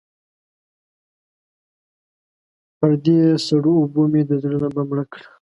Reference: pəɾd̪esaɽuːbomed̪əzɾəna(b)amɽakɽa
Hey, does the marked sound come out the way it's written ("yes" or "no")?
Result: yes